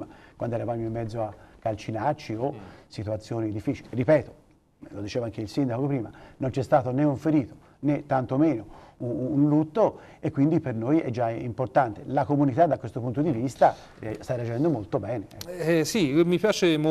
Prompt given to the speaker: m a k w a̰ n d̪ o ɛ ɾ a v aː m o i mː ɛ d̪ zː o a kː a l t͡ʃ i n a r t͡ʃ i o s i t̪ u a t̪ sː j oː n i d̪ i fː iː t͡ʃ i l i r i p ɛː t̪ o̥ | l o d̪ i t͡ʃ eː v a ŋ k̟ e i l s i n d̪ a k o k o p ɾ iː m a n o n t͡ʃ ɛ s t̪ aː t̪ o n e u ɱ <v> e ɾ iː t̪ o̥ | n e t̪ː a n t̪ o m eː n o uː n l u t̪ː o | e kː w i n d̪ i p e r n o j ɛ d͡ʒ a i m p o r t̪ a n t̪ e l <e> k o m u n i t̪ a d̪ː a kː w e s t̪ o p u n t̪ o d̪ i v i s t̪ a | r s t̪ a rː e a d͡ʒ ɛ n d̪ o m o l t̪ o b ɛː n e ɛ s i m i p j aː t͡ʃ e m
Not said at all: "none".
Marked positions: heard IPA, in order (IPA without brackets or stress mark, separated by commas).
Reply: f, a